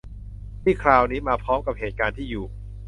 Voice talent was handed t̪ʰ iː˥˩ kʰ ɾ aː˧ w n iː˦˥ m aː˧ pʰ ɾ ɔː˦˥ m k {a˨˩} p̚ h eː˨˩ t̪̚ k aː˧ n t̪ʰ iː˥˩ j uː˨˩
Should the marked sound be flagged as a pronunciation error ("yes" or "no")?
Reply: no